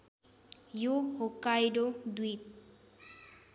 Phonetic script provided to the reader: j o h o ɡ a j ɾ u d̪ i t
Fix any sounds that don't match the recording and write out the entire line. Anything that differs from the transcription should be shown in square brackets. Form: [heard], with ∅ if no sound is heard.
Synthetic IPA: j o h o [k] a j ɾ [o] d̪ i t